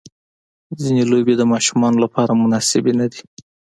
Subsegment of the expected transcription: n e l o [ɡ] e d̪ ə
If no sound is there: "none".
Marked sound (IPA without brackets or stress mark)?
b